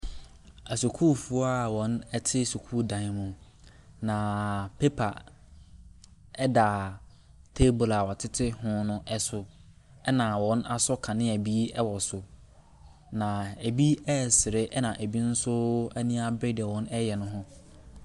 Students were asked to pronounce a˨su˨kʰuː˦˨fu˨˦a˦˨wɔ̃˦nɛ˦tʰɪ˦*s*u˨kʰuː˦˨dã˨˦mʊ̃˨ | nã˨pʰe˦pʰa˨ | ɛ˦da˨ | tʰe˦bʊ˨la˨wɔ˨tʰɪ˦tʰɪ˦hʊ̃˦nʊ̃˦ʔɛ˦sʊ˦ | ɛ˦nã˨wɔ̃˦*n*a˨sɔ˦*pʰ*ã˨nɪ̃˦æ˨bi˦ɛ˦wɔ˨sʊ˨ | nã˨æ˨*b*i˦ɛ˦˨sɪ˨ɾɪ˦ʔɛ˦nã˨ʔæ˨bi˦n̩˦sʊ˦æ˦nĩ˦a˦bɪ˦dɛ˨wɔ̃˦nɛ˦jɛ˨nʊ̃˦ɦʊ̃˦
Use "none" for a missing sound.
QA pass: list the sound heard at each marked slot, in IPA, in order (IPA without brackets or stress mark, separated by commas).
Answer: s, n, kʰ, b